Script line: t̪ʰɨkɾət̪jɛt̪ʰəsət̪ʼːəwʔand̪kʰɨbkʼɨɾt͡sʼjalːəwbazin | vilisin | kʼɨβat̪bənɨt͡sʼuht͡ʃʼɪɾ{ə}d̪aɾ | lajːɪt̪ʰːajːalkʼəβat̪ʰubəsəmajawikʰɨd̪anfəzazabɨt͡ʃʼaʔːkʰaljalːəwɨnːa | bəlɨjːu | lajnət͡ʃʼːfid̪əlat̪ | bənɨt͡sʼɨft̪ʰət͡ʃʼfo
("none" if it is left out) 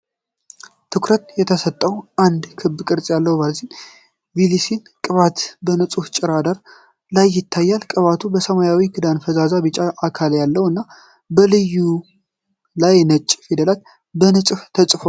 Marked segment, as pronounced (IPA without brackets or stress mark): a